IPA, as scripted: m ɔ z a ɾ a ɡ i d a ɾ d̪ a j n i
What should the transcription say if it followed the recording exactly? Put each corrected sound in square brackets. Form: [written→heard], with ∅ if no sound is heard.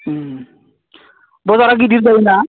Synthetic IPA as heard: [m→b] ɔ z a ɾ a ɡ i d [a→i] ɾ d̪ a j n [i→a]